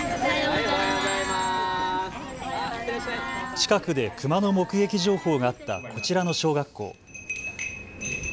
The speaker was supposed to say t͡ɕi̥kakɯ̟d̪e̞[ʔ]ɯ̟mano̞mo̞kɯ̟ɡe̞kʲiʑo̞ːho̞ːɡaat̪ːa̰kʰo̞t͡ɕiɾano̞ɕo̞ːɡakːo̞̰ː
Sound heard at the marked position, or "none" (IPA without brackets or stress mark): k